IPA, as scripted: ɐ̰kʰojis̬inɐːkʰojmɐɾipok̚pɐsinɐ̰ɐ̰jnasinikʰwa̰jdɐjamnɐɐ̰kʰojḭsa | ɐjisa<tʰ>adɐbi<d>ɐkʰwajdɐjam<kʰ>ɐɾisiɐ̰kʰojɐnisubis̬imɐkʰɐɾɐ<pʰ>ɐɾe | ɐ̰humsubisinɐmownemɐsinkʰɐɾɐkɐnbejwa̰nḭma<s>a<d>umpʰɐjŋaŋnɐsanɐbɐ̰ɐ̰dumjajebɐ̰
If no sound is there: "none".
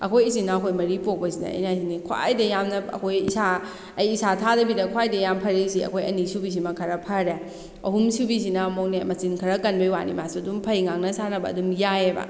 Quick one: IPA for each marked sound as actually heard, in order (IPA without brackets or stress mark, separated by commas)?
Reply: tʰ, d, pʰ, pʰ, s, d